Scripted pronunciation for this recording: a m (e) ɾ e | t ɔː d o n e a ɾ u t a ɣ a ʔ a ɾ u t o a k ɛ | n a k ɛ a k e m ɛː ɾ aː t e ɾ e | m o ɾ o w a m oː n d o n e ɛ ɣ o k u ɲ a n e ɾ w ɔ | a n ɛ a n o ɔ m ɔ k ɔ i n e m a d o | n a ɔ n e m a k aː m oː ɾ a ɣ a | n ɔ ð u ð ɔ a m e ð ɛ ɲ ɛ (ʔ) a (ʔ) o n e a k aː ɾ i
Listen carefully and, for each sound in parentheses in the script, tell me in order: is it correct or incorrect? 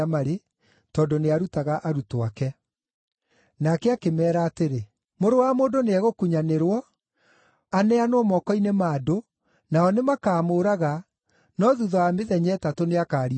incorrect, incorrect, incorrect

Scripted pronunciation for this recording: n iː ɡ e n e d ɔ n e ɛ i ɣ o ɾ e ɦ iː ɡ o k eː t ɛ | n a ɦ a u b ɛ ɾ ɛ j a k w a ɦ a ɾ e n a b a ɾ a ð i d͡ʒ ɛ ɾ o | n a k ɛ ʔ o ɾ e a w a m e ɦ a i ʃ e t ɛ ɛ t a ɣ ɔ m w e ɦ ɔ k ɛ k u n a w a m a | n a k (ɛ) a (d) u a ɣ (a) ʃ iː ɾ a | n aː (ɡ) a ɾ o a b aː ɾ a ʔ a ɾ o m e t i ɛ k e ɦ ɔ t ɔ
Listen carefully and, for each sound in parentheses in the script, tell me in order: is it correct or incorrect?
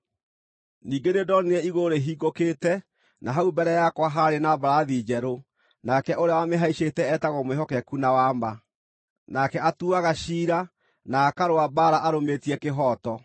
correct, incorrect, correct, incorrect

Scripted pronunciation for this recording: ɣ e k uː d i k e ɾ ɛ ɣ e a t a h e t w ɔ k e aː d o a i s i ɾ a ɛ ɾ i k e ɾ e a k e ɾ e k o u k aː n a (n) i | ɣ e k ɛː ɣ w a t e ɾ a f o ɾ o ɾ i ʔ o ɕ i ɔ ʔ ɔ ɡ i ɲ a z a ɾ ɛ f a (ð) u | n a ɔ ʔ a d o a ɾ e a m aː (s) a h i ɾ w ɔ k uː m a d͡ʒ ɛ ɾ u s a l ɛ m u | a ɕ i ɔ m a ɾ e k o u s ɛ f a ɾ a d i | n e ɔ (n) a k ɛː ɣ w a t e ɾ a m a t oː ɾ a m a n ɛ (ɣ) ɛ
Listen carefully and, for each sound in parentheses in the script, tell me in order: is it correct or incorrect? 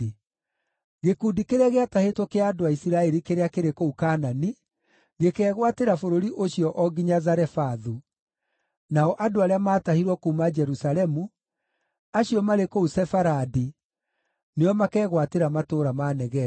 correct, correct, incorrect, incorrect, correct

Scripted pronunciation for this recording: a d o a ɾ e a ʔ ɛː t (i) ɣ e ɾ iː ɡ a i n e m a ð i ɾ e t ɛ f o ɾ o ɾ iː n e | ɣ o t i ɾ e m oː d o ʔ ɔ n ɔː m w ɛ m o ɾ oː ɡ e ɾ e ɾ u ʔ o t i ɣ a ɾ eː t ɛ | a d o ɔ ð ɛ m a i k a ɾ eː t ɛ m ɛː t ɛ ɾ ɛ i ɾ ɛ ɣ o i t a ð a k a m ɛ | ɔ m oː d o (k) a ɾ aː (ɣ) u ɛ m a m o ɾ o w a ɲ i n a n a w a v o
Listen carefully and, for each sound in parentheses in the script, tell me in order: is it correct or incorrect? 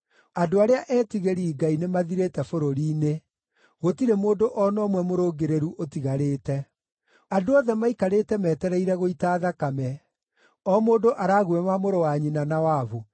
correct, incorrect, correct

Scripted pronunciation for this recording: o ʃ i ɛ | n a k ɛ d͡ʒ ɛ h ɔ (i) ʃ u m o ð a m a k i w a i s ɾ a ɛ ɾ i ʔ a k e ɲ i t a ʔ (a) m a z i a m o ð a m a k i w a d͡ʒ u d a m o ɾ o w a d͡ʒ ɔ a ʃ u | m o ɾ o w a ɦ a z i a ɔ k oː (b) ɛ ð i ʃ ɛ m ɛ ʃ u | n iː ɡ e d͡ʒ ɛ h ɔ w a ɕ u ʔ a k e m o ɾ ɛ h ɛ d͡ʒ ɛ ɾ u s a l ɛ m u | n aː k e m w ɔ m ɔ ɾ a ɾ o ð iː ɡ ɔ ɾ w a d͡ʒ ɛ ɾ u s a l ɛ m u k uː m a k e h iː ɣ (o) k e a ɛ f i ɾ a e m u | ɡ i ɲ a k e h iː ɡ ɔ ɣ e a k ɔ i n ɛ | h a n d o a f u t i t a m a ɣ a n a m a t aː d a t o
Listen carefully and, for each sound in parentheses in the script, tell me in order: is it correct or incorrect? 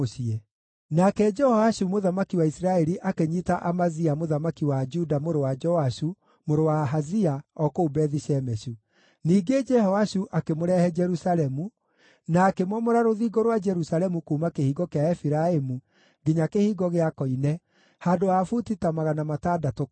incorrect, correct, correct, incorrect

